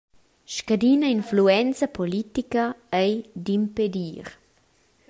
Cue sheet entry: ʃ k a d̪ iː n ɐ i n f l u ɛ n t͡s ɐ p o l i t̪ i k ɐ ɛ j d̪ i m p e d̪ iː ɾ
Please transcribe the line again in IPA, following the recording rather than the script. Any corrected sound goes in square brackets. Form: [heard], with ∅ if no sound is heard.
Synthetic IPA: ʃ k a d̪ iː n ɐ i n f l u ɛ n t͡s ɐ p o l i t̪ i k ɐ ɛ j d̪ i m p e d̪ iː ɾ